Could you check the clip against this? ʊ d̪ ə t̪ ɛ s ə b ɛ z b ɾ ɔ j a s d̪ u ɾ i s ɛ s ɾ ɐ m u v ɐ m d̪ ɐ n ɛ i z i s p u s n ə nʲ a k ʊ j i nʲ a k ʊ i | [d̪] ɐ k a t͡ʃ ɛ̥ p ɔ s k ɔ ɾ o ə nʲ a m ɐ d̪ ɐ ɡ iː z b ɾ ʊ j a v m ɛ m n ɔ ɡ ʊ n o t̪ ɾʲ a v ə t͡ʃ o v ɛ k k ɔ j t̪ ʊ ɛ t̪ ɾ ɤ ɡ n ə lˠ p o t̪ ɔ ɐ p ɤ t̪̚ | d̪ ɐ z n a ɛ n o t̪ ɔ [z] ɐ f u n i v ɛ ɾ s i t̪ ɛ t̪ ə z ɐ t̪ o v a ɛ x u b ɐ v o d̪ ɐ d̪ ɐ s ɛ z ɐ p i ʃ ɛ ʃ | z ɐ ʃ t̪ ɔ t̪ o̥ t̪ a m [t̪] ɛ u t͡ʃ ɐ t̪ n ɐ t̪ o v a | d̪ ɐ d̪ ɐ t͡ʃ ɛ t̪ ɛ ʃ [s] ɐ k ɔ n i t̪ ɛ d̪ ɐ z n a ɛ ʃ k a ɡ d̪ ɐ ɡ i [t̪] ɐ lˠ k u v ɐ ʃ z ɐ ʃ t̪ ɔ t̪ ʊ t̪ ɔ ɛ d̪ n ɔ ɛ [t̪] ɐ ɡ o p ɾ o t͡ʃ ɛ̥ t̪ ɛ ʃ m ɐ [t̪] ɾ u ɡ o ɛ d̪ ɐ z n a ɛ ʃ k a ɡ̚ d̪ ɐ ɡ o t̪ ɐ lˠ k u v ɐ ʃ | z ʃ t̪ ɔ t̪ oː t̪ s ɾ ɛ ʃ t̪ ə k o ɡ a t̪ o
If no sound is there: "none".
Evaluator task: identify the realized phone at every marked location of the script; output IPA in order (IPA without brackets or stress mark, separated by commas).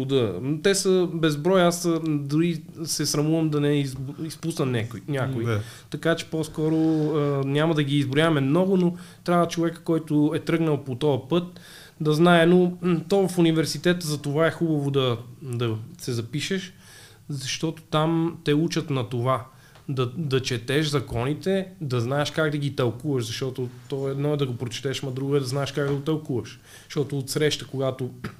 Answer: t̪, v, t̪, z, t̪, d̪, d̪